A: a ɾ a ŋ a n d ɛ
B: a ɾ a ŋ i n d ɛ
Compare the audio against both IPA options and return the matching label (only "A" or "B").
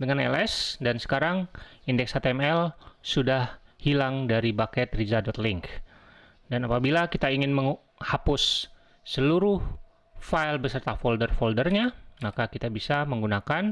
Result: B